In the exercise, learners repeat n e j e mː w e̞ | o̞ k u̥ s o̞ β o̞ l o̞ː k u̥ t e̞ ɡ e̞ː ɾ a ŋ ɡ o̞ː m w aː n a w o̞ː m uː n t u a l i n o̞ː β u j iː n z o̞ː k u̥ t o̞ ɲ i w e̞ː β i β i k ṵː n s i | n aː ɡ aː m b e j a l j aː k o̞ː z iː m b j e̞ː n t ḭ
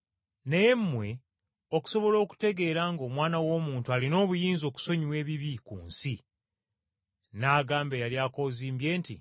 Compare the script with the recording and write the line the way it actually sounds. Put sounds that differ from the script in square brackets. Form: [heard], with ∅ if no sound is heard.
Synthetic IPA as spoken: n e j e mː w e̞ | o̞ k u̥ s o̞ β o̞ l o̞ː k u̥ t e̞ ɡ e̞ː ɾ a ŋ ɡ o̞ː m w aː n a w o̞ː m uː n t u a l i n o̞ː β u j iː n z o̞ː k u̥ [s] o̞ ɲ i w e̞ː β i β i k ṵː n s i | n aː ɡ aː m b e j a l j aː k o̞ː z iː m b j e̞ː n t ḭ